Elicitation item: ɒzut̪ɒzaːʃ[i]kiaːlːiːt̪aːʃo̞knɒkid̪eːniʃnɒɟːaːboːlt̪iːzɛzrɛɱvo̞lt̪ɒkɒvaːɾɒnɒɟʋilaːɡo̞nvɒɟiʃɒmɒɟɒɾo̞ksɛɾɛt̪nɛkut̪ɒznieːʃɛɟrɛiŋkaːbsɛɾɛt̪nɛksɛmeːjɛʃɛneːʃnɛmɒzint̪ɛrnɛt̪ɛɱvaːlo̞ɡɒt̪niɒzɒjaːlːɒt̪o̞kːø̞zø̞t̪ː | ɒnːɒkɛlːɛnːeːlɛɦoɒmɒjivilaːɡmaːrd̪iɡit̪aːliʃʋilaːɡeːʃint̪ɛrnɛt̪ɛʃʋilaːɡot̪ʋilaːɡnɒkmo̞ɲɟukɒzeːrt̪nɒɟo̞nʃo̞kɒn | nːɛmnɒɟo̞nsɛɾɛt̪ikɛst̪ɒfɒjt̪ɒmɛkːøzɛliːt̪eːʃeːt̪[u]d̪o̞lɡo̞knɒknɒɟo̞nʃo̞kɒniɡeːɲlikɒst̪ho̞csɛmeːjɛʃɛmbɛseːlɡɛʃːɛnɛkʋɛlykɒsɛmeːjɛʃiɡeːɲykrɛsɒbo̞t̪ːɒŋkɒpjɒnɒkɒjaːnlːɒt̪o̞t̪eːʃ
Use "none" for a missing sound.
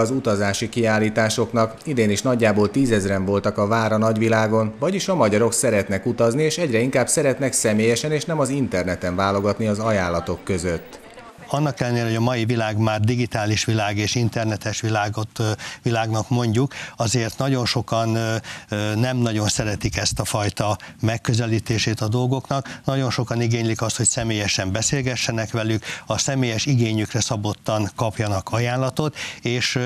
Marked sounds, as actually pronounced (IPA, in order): i, ɒ

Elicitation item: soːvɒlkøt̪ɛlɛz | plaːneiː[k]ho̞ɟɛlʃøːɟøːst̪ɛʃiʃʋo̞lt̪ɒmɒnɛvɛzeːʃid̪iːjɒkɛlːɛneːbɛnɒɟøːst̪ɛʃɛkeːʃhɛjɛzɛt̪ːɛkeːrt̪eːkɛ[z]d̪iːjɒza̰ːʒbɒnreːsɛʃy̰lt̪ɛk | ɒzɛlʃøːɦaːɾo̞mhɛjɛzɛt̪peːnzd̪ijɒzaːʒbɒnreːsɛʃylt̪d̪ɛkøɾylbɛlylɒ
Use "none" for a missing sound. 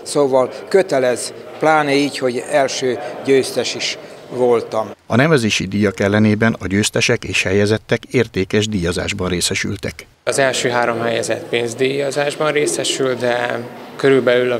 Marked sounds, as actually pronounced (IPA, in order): c, ʒ

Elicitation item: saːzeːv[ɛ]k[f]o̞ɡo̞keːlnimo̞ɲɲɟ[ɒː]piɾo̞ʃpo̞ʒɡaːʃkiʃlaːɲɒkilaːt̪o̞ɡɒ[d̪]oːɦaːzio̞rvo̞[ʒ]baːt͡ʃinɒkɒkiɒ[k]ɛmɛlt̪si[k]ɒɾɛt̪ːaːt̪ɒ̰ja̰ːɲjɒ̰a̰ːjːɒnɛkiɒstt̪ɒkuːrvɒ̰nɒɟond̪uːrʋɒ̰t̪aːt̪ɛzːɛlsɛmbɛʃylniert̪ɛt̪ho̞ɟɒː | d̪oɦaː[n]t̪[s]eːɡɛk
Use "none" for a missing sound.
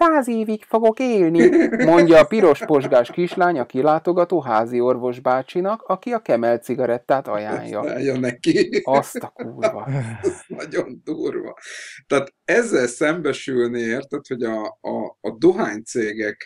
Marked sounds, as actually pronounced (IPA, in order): i, f, ɒː, t̪, ʒ, k, ɡ, ɲ, s

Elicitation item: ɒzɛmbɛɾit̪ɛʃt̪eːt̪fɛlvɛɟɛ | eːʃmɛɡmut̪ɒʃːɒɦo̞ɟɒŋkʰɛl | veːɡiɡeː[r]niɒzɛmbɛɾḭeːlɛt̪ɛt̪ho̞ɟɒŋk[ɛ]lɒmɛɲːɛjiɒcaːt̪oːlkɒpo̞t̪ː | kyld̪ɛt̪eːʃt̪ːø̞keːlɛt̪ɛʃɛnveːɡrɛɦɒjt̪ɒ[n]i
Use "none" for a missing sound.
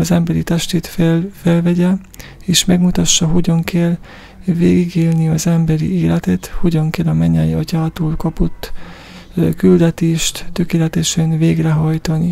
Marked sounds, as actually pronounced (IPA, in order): l, ɛ, n

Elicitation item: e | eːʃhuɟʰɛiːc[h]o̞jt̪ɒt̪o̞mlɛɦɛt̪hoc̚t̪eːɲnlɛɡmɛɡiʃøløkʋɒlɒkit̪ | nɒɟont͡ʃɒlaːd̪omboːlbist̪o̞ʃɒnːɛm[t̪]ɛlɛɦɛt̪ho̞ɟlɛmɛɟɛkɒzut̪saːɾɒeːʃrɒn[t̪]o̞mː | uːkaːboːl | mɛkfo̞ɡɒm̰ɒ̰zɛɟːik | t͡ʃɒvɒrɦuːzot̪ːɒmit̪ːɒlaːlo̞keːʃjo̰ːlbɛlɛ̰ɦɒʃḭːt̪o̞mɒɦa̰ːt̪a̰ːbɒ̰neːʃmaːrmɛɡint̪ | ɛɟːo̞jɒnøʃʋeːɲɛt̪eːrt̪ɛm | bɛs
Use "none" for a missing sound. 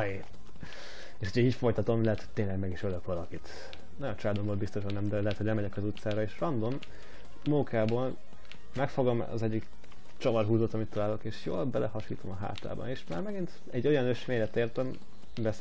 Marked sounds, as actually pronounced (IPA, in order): f, d̪, d̪

